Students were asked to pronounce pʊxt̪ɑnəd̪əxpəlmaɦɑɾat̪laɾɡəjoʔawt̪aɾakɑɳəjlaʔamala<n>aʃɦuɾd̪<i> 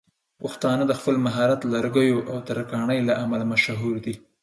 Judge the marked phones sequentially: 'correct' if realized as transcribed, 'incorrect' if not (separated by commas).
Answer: incorrect, correct